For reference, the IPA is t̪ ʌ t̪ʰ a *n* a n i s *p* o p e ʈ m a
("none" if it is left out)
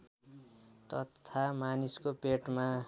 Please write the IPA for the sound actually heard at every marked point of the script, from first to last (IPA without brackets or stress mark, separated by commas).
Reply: m, k